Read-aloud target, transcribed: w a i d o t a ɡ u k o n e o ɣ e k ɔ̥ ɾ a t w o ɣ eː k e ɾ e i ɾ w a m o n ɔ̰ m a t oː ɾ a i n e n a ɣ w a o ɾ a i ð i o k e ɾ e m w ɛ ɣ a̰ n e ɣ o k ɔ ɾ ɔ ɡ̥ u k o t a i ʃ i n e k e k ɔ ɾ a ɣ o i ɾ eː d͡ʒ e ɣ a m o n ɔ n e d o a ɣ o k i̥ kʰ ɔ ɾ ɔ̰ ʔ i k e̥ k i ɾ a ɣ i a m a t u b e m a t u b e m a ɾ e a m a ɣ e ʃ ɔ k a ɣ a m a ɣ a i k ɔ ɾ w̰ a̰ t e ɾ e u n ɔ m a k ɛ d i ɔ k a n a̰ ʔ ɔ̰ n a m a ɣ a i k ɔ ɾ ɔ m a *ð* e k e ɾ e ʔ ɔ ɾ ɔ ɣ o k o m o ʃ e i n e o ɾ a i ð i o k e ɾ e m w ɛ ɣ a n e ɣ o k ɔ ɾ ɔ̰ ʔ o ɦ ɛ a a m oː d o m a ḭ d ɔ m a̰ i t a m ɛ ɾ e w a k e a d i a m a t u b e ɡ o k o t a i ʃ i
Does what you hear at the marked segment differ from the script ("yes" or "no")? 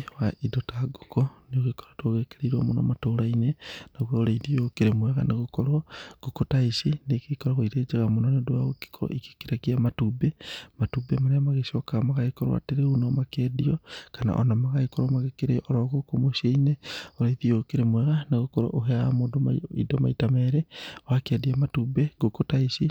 yes